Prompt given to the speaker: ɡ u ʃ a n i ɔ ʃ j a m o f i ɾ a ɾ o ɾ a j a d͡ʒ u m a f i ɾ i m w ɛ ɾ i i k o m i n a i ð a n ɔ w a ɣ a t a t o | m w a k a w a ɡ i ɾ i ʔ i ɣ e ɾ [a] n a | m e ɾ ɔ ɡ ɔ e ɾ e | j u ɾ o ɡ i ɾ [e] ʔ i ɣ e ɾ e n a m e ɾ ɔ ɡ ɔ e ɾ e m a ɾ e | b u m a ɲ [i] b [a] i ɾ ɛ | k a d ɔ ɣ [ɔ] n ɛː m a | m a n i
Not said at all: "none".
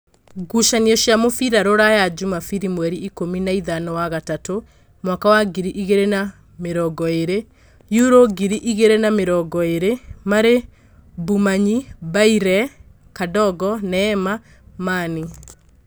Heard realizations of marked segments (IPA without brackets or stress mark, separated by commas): e, i, i, a, ɔ